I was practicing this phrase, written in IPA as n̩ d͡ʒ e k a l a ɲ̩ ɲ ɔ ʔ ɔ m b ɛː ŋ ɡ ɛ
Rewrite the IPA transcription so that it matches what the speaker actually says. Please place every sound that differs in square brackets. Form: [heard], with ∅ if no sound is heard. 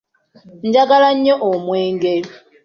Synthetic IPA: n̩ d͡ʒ [a] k a l a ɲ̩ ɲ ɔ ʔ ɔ m [w] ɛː ŋ ɡ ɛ